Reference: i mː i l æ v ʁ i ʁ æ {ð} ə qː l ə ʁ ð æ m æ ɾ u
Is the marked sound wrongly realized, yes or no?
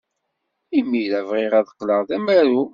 no